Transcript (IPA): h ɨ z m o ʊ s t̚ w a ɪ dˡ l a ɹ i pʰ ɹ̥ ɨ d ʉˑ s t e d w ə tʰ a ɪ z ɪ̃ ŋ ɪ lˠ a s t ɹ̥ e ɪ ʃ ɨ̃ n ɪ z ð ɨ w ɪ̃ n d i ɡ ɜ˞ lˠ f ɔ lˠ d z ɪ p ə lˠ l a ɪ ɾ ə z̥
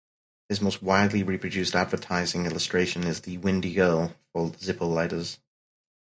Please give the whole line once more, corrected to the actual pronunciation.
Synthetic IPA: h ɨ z m o ʊ s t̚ w a ɪ dˡ l i ɹ i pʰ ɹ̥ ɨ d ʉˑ s t æ d v ə tʰ a ɪ z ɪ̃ ŋ ɪ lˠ ə s t ɹ̥ e ɪ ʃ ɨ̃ n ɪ z ð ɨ w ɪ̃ n d i ɡ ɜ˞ lˠ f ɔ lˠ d z ɪ p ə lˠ l a ɪ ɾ ə z̥